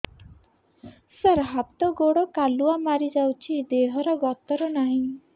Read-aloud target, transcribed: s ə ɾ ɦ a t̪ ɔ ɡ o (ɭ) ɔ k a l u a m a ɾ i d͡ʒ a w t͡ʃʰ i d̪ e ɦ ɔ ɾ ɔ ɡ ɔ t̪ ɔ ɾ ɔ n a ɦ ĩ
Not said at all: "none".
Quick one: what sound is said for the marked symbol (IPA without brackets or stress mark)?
ɽ